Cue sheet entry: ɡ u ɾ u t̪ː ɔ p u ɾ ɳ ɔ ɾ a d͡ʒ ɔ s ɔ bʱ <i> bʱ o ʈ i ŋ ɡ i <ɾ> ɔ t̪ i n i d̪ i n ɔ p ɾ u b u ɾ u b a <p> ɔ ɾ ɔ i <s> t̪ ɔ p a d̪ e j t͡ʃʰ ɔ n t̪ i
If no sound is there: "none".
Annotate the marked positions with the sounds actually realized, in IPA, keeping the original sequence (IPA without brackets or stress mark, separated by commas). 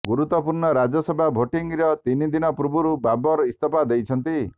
a, ɾ, b, s